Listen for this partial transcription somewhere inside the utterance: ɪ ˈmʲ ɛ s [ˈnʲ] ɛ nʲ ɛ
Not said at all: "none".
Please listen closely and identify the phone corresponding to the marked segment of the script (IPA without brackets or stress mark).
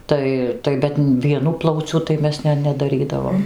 nʲ